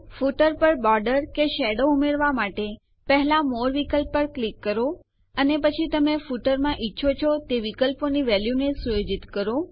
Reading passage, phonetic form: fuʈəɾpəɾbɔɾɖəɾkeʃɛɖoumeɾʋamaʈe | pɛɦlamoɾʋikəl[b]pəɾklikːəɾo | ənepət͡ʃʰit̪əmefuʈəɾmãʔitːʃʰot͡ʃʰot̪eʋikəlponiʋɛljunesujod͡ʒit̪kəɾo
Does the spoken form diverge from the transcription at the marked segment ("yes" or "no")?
yes